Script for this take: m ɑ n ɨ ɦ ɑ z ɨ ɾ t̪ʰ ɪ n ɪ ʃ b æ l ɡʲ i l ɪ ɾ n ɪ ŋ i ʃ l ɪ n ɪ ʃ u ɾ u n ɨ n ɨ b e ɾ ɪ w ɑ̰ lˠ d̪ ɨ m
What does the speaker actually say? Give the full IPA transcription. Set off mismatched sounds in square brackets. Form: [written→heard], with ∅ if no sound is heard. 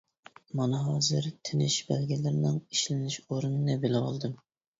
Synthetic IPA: m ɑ n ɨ ɦ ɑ z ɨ ɾ t̪ʰ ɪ n ɪ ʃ b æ l ɡʲ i l ɪ ɾ n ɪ ŋ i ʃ l ɪ n ɪ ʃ [u→o] ɾ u n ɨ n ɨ b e [ɾ→l] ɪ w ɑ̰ lˠ d̪ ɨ m